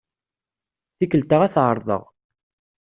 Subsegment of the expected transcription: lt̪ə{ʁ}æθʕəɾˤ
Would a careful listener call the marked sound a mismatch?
no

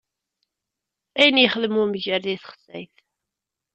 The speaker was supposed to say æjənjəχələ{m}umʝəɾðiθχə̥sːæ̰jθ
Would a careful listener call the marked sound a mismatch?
no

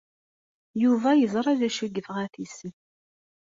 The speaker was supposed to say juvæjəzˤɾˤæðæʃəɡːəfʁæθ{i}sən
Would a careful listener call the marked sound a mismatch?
no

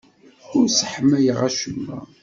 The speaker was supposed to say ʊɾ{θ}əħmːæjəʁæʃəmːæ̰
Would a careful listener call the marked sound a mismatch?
yes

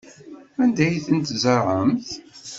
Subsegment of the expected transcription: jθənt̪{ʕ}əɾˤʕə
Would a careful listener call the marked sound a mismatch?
yes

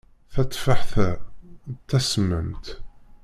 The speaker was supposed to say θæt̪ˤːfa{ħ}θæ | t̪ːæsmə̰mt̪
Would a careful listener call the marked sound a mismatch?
no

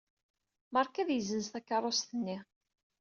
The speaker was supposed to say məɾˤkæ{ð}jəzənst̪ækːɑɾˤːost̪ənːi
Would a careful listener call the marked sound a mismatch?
no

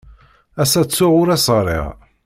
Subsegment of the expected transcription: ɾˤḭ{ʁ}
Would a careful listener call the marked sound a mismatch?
no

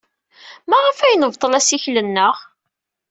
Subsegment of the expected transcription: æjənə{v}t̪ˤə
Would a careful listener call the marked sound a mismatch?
no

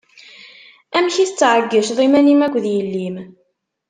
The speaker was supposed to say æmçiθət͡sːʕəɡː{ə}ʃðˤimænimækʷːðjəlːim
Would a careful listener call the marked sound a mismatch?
no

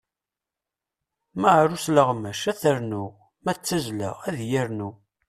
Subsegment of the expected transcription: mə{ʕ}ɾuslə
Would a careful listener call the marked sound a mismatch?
no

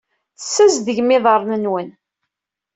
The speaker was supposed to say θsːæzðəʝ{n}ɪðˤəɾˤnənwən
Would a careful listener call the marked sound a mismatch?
yes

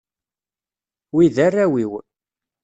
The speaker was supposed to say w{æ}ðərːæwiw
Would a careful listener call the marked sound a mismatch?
yes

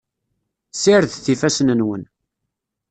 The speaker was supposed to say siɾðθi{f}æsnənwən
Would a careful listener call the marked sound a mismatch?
no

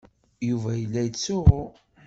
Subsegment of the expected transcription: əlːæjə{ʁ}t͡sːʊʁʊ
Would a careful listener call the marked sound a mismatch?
yes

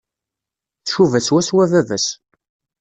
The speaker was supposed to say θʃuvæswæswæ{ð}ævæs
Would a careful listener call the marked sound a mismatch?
yes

